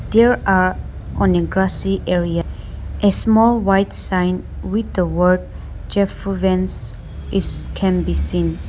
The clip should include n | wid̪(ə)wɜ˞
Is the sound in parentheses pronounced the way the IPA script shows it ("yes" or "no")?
yes